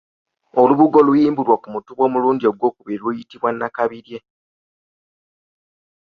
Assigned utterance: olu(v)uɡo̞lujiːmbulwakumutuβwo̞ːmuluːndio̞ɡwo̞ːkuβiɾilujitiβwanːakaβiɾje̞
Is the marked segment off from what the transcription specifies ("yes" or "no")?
yes